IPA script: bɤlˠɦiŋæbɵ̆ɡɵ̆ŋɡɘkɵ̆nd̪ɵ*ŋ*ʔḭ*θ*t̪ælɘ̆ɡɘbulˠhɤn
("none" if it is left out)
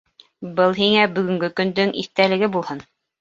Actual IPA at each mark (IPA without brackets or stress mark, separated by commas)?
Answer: ŋ, θ